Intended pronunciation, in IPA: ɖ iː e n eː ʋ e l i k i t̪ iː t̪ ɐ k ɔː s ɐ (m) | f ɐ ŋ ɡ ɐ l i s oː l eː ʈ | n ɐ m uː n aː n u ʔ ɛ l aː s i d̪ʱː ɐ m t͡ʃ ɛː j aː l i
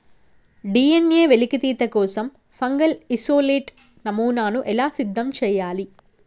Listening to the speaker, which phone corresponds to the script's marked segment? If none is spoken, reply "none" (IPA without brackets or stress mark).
m